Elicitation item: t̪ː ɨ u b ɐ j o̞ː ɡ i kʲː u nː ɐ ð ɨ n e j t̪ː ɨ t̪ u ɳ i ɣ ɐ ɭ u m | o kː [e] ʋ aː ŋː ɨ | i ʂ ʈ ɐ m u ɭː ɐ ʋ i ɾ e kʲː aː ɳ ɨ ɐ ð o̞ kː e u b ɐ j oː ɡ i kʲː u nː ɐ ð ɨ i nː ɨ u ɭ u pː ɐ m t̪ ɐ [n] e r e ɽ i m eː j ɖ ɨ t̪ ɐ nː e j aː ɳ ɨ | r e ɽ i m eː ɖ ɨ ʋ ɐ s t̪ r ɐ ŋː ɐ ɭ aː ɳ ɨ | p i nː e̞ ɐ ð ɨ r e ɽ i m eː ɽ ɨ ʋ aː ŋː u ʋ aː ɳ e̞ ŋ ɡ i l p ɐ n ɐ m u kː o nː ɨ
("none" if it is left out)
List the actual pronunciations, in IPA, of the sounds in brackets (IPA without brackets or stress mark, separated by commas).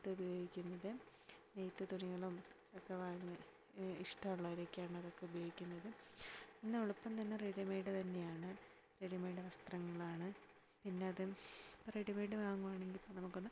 e, nː